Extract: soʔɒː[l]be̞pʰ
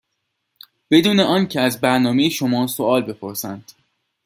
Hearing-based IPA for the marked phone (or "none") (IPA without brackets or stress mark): l